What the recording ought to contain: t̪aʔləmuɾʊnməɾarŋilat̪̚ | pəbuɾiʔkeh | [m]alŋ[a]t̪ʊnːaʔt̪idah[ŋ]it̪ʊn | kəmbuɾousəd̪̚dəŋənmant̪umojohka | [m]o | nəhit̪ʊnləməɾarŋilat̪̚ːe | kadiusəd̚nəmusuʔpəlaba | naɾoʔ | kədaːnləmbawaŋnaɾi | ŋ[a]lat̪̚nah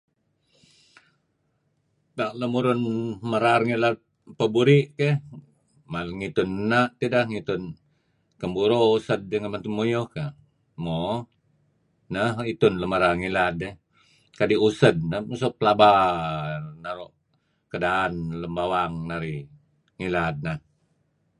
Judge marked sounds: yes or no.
yes, no, yes, yes, no

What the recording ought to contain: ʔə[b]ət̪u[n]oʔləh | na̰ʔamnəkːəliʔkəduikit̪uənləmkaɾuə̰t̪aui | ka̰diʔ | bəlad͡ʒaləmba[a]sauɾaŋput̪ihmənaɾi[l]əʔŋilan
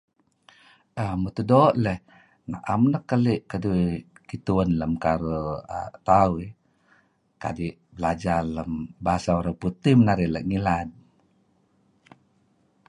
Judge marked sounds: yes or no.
no, no, yes, yes

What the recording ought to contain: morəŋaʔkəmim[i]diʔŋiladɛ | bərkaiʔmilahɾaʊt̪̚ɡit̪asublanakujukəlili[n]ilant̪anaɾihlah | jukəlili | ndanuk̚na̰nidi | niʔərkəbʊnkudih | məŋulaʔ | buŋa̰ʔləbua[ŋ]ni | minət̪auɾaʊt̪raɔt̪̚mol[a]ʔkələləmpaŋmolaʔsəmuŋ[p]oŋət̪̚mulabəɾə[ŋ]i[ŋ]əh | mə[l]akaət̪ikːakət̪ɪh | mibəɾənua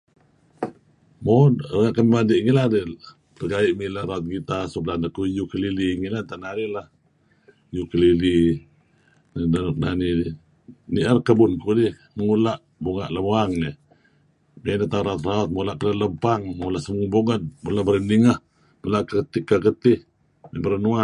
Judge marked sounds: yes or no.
no, no, yes, yes, no, no, yes, yes

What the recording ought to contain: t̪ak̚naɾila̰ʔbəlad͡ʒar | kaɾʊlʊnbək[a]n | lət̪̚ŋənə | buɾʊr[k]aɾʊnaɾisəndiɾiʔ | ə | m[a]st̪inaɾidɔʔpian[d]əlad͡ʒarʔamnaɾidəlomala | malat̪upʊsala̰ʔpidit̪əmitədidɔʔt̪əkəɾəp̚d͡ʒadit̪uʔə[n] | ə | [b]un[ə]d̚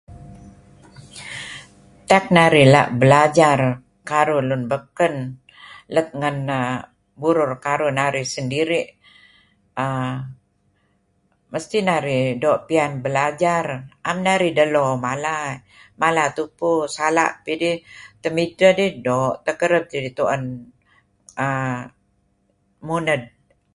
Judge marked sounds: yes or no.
no, yes, no, no, yes, no, yes

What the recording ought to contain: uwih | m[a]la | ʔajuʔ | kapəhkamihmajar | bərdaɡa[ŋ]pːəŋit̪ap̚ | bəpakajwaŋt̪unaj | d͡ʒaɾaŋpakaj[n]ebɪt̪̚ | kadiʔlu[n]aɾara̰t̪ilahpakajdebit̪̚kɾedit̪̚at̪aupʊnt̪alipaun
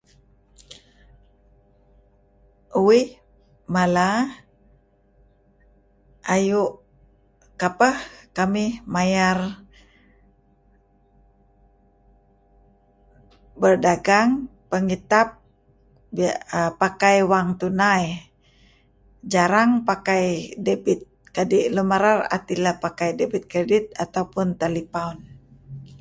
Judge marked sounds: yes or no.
yes, yes, no, no

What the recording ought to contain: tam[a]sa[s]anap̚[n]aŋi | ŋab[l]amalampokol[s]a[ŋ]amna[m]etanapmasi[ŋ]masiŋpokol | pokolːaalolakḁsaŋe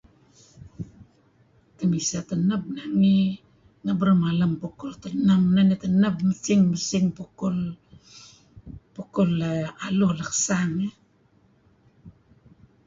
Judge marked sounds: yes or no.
no, no, yes, no, no, no, no, yes

